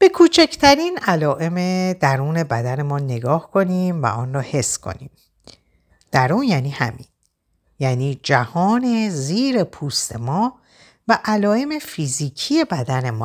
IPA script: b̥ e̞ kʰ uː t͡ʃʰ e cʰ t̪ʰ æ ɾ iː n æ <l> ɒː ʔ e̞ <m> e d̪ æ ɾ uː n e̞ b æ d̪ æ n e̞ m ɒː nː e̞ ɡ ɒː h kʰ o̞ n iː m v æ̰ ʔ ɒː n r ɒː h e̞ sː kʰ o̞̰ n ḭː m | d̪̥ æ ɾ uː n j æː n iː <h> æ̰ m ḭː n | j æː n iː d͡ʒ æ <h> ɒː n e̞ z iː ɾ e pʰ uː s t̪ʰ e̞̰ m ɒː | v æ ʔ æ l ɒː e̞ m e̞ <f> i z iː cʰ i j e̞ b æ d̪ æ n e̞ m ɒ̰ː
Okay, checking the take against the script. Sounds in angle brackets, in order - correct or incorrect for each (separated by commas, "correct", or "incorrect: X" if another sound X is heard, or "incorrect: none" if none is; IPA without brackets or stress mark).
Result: correct, correct, correct, correct, correct